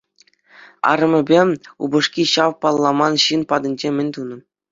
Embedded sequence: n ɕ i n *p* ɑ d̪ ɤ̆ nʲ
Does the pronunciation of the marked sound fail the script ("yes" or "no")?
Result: no